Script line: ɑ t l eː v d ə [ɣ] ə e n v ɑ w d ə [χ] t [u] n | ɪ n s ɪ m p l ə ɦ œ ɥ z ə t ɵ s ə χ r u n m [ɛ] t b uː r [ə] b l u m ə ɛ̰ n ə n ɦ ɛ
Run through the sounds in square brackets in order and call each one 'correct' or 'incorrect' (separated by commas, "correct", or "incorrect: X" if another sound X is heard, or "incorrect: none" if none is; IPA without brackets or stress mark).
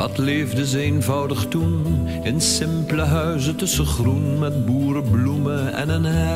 incorrect: z, correct, correct, correct, correct